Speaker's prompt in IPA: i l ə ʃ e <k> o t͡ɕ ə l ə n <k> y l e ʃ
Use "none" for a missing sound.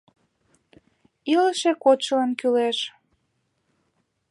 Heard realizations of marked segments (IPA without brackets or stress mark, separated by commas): k, k